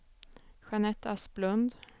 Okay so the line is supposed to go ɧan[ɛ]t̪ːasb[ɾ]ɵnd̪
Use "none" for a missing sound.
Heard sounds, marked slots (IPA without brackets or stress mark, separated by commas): ɛ, l